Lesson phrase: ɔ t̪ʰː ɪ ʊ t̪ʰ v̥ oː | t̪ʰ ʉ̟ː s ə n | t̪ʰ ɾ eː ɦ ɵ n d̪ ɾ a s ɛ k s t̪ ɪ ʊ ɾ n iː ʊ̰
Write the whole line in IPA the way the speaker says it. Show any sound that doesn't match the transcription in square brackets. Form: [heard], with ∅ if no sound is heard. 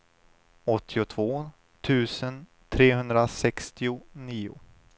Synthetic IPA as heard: ɔ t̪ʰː ɪ ʊ t̪ʰ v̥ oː | t̪ʰ ʉ̟ː s ə n | t̪ʰ ɾ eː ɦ ɵ n d̪ ɾ a s ɛ k s t̪ ɪ ʊ [∅] n iː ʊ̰